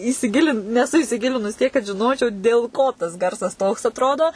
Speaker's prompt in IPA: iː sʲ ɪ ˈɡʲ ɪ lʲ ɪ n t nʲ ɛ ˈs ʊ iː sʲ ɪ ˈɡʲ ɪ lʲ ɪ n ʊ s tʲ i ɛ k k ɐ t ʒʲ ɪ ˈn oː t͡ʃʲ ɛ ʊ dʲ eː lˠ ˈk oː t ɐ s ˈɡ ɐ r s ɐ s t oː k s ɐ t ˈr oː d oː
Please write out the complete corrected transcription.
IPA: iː sʲ ɪ ˈɡʲ ɪ lʲ ɪ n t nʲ ɛ ˈs ʊ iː sʲ ɪ ˈɡʲ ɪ lʲ ɪ n ʊ s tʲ i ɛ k k ɐ t ʒʲ ɪ ˈn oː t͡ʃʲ ɛ ʊ dʲ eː lˠ ˈk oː t ɐ s ˈɡ ɐ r s ɐ s t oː k s ɐ t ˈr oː d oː